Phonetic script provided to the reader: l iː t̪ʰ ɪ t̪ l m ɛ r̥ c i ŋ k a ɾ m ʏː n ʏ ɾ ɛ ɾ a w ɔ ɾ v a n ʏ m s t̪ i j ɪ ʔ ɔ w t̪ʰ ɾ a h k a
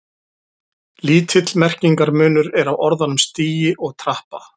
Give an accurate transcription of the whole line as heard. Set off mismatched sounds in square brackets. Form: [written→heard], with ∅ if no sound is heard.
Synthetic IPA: l iː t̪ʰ ɪ t̪ l m ɛ r̥ c i ŋ k a ɾ m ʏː n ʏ ɾ ɛ ɾ a w ɔ ɾ [v→ð] a n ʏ m s t̪ [i→iː] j ɪ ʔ ɔ [w→ɣ] t̪ʰ ɾ a h [k→p] a